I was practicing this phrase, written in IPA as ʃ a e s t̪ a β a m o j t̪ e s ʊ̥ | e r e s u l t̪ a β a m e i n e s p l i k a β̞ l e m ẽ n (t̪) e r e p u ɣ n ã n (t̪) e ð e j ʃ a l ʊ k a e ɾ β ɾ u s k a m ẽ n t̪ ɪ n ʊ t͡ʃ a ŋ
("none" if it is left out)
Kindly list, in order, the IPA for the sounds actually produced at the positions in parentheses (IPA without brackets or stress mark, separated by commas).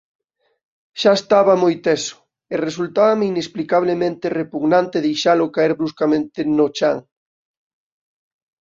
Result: t̪, t̪